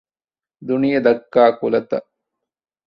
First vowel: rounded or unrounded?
rounded